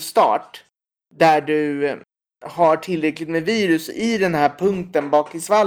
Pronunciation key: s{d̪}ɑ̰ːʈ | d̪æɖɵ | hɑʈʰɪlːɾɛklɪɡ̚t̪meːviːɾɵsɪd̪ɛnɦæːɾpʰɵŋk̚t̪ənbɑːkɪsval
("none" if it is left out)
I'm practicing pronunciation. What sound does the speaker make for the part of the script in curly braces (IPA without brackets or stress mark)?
t̪